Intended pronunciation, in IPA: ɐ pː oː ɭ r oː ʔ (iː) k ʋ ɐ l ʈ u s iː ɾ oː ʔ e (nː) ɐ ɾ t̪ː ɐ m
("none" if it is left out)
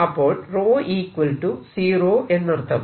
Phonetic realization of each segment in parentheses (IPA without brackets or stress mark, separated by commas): iː, nː